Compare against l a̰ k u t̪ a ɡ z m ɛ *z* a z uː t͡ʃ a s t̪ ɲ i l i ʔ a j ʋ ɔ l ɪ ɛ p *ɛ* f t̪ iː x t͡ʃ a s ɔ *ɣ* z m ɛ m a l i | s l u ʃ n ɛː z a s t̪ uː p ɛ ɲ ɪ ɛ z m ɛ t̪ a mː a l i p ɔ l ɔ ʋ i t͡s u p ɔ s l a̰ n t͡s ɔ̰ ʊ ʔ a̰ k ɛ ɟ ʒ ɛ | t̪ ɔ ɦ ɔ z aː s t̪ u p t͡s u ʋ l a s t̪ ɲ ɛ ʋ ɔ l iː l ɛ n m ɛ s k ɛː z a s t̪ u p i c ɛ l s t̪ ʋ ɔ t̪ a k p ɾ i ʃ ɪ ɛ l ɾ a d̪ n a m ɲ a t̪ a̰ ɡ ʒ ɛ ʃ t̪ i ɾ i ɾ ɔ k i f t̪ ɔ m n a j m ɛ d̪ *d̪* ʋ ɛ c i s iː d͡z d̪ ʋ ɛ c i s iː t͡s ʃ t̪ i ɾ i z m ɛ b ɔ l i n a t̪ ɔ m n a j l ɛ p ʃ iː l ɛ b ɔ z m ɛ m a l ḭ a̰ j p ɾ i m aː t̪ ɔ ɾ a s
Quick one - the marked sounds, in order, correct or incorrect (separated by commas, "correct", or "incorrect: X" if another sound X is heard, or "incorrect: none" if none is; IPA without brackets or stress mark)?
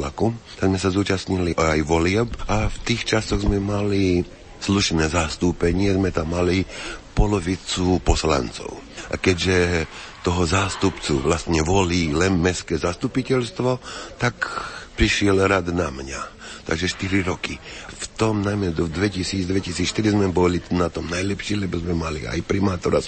incorrect: s, incorrect: a, correct, correct